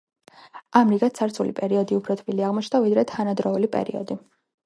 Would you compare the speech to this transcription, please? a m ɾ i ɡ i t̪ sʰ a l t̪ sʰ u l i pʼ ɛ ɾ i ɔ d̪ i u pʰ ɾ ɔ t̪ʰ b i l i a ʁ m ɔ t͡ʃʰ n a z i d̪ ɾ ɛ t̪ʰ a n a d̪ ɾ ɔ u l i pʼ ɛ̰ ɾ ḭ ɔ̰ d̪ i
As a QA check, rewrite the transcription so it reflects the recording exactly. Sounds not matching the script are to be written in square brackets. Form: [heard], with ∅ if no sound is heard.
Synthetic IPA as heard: a m ɾ i ɡ [a] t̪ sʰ a [ɾ] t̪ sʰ u l i pʼ ɛ ɾ i ɔ d̪ i u pʰ ɾ ɔ t̪ʰ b i l i a ʁ m ɔ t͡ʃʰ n a [v] i d̪ ɾ ɛ t̪ʰ a n a d̪ ɾ ɔ u l i pʼ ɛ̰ ɾ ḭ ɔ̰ d̪ i